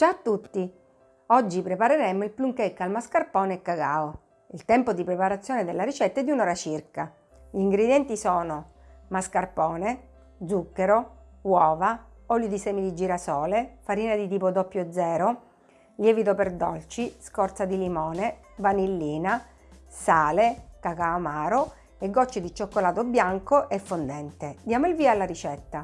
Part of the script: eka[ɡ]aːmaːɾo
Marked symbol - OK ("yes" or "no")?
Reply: no